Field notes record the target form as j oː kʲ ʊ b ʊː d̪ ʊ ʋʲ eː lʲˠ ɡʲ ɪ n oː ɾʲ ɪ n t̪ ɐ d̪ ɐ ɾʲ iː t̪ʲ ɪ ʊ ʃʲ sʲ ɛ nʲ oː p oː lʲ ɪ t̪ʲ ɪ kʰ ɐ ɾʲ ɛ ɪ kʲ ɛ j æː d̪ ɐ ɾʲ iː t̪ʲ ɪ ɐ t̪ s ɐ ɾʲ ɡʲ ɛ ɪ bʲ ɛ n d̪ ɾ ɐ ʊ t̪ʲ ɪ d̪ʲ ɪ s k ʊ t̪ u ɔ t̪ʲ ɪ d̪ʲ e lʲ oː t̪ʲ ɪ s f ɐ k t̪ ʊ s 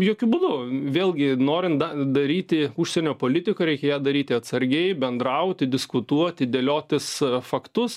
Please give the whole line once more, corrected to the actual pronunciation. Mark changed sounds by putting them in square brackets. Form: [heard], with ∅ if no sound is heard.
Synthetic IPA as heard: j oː kʲ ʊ b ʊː d̪ ʊ ʋʲ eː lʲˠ ɡʲ ɪ n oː ɾʲ ɪ n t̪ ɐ d̪ ɐ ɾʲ iː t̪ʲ ɪ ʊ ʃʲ sʲ ɛ nʲ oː p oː lʲ ɪ t̪ʲ ɪ [k] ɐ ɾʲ ɛ ɪ kʲ ɛ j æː d̪ ɐ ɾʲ iː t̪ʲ ɪ ɐ t̪ s ɐ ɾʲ ɡʲ ɛ ɪ bʲ ɛ n d̪ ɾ ɐ ʊ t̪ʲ ɪ d̪ʲ ɪ s k ʊ t̪ u ɔ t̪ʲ ɪ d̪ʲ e lʲ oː t̪ʲ ɪ s f ɐ k t̪ ʊ s